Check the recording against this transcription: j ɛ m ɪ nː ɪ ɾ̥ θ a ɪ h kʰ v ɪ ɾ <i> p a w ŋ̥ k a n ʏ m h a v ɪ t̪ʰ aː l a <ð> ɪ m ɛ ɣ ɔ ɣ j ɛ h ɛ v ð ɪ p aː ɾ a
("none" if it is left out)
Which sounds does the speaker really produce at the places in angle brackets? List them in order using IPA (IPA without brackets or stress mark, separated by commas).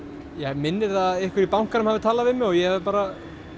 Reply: i, v